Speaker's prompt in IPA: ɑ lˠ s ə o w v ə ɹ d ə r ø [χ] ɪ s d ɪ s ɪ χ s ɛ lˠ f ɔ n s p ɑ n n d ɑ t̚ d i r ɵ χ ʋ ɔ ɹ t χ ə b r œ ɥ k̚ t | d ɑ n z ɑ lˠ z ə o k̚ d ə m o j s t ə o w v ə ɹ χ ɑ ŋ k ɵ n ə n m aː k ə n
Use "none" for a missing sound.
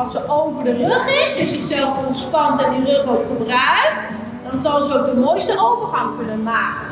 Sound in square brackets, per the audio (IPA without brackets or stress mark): χ